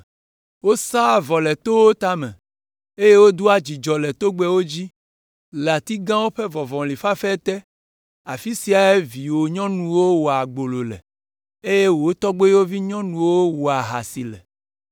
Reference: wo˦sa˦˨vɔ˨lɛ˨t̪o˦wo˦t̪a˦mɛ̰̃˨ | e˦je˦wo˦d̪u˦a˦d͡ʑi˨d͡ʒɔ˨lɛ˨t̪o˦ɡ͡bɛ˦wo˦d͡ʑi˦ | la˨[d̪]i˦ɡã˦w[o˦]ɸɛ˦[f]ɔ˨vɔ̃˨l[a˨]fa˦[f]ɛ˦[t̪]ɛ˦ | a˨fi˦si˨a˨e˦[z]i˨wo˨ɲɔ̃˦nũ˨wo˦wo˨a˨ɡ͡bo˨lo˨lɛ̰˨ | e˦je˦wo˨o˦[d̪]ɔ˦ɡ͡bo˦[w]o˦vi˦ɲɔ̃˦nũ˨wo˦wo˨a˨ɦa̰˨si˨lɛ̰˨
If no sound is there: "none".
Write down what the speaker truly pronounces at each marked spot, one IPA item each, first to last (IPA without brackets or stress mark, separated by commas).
t̪, o˦, v, i˨, f, t̪, v, t̪, w